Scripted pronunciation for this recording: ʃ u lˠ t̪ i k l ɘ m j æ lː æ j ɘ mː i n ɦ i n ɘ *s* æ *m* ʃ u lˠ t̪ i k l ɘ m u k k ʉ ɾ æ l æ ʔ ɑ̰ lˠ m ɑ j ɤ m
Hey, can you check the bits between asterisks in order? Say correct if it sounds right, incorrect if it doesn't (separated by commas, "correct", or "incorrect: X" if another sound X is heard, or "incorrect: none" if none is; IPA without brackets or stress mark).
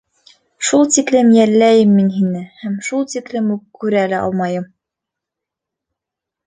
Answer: incorrect: h, correct